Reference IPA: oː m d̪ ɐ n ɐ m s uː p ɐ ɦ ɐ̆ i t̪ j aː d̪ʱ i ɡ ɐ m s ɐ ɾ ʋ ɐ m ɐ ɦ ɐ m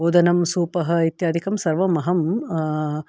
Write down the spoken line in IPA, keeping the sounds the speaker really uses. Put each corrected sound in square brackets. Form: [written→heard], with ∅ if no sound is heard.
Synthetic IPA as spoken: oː [m→∅] d̪ ɐ n ɐ m s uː p ɐ ɦ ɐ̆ i t̪ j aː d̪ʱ i [ɡ→k] ɐ m s ɐ ɾ ʋ ɐ m ɐ ɦ ɐ m

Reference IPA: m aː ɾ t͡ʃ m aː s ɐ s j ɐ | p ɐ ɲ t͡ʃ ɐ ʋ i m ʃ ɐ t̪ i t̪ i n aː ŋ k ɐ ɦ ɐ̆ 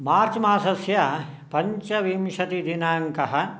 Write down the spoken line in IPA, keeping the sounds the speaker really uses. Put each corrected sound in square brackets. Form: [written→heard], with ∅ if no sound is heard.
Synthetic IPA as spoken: m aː ɾ t͡ʃ m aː s ɐ s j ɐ | p ɐ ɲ t͡ʃ ɐ ʋ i m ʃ ɐ t̪ i [t̪→d̪] i n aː ŋ k ɐ ɦ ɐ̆

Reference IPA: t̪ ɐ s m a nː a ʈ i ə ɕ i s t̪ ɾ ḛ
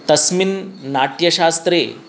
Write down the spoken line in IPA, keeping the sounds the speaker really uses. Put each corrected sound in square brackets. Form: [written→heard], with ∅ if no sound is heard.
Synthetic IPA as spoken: t̪ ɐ s m [a→i] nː a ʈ [i→j] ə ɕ [i→a] s t̪ ɾ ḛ

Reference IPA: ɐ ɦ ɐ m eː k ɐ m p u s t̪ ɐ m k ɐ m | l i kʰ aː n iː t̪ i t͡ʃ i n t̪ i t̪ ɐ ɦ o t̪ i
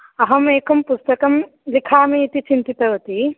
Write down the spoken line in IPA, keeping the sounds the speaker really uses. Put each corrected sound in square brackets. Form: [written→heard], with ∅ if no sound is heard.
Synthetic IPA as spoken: ɐ ɦ ɐ m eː k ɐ m p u s t̪ ɐ [m→∅] k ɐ m | l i kʰ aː [n→m] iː t̪ i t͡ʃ i n t̪ i t̪ ɐ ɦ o t̪ i

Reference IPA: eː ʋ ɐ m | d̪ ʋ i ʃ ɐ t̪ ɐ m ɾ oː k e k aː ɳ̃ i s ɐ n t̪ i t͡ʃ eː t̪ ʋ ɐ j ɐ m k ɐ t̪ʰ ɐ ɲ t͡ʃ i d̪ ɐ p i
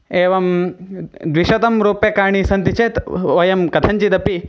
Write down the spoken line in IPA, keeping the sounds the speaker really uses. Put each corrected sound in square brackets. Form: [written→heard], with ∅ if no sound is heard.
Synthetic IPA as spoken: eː ʋ ɐ m | d̪ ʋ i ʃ ɐ t̪ ɐ m ɾ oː [k→p] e k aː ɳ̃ i s ɐ n t̪ i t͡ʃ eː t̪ ʋ ɐ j ɐ m k ɐ t̪ʰ ɐ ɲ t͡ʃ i d̪ ɐ p i

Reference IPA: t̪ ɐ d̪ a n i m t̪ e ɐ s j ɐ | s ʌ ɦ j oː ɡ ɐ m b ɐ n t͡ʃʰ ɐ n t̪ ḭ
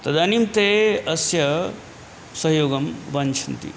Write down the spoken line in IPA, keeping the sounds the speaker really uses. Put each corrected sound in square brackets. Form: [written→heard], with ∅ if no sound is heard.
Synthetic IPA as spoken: t̪ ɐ d̪ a n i m t̪ e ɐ s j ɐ | s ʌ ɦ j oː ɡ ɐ m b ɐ n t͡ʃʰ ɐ n t̪ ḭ

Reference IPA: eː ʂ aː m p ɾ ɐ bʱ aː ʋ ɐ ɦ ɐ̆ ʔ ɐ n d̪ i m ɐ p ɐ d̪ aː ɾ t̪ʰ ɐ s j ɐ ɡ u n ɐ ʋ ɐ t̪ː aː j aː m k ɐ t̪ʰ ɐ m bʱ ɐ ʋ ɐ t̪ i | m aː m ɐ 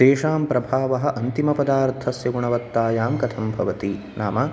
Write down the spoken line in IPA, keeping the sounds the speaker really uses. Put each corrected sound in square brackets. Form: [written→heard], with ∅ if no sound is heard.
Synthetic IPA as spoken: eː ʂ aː m p ɾ ɐ bʱ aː ʋ ɐ ɦ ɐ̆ ʔ ɐ n [d̪→t̪] i m ɐ p ɐ d̪ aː ɾ t̪ʰ ɐ s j ɐ ɡ u [n→ɳ] ɐ ʋ ɐ t̪ː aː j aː m k ɐ t̪ʰ ɐ m bʱ ɐ ʋ ɐ t̪ i | [m→n] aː m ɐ

